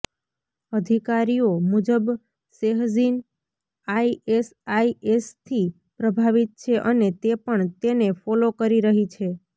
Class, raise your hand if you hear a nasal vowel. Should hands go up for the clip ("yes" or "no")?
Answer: no